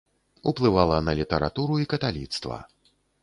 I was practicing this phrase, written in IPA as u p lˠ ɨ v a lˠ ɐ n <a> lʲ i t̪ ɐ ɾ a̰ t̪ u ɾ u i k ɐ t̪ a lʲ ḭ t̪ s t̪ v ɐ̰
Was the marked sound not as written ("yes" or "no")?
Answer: yes